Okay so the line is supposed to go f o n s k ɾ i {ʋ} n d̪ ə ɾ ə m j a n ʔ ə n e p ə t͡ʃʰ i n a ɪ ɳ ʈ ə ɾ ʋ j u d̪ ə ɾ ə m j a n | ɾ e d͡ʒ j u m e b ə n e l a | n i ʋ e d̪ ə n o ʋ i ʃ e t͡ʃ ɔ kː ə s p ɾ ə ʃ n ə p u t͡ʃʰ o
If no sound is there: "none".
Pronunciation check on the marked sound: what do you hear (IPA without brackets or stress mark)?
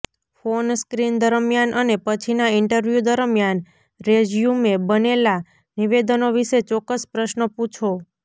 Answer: none